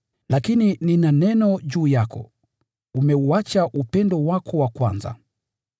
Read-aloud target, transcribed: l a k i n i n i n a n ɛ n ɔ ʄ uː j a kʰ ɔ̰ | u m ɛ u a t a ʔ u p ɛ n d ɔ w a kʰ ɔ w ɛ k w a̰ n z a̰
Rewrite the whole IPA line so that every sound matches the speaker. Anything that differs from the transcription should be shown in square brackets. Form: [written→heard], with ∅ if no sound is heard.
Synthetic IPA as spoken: l a k i n i n i n a n ɛ n ɔ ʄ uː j a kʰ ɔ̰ | u m ɛ u a [t→t͡ʃ] a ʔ u p ɛ n d ɔ w a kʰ ɔ w [ɛ→a] k w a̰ n z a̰